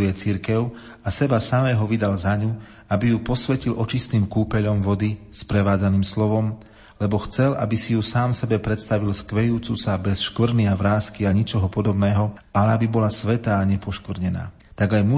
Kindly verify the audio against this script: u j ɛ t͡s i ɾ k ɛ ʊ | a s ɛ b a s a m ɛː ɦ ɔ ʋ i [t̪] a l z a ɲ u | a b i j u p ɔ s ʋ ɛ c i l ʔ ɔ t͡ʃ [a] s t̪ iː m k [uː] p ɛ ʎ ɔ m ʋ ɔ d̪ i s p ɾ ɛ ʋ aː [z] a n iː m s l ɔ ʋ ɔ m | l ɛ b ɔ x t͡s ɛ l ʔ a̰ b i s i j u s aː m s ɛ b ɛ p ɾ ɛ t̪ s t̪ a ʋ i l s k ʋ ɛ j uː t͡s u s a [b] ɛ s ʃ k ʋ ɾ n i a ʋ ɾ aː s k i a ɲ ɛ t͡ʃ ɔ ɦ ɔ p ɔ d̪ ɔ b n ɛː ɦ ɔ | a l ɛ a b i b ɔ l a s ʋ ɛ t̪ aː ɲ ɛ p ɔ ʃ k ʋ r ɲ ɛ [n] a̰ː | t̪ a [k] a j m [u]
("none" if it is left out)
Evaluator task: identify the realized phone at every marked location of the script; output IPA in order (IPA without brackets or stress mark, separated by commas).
d̪, i, uː, d͡z, b, n, ɡ, u